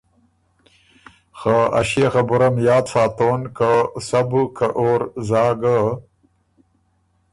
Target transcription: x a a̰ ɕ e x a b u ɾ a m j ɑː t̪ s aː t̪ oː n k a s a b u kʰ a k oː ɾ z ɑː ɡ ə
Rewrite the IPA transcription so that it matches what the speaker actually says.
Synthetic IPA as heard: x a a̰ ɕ e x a b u ɾ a m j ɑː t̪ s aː t̪ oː n k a s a b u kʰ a ʔ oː ɾ z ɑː ɡ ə